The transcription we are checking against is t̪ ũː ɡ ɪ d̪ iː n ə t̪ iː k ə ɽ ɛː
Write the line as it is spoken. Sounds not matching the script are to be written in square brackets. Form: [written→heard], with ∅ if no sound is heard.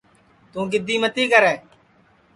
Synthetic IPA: t̪ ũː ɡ ɪ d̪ iː [n→m] ə t̪ iː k ə [ɽ→ɾ] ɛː